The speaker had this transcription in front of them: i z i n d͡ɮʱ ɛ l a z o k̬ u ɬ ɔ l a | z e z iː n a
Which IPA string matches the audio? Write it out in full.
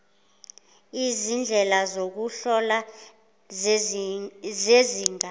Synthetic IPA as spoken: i z i n d͡ɮʱ ɛ l a z o k̬ u ɬ ɔ l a | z e z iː ŋ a